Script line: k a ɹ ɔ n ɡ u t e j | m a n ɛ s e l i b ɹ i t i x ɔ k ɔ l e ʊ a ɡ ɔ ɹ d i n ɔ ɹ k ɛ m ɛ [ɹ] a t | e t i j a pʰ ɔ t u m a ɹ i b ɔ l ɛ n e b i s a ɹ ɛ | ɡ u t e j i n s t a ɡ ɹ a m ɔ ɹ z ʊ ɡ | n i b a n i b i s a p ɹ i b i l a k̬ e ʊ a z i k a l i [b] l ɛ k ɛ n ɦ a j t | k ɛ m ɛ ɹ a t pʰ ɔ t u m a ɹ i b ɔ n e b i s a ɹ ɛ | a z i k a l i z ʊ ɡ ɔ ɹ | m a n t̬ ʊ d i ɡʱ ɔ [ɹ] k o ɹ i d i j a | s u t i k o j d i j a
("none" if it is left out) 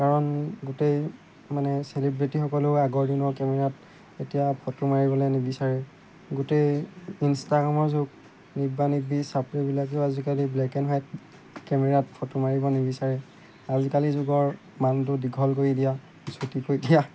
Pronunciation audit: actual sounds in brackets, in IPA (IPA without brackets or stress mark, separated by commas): ɹ, b, l